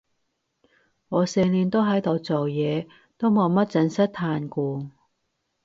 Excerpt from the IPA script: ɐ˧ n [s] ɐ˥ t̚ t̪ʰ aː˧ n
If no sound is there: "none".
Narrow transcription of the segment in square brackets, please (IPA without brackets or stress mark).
s